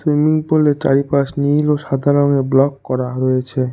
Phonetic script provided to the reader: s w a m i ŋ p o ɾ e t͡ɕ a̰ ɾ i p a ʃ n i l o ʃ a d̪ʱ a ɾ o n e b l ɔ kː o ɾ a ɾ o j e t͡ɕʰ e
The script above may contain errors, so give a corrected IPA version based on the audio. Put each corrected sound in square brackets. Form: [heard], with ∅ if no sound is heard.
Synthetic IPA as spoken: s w [i] m i ŋ p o [l] e t͡ɕ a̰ ɾ i p a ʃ n i l o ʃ a d̪ʱ a ɾ o n e b l ɔ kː [ɔ] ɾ a ɾ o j e t͡ɕʰ e